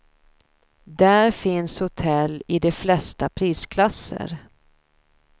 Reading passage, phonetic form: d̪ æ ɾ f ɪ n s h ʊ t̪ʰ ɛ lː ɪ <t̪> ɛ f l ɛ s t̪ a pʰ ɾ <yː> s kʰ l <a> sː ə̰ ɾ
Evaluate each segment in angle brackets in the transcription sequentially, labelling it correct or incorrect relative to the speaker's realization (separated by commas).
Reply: incorrect, incorrect, correct